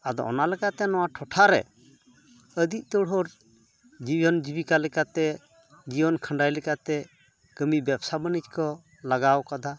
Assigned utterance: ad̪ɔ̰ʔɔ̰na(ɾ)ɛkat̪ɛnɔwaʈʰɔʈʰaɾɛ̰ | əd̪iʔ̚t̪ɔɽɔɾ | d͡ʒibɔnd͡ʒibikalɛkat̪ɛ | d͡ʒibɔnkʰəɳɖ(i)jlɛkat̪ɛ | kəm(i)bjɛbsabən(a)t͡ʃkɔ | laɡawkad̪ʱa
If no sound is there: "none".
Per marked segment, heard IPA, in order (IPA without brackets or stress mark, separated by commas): l, a, i, i